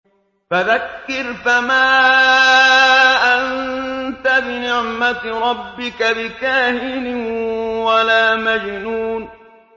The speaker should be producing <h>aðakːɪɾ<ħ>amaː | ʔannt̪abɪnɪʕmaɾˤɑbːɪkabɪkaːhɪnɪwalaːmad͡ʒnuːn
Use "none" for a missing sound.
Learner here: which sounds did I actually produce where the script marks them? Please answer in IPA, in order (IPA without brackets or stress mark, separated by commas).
f, f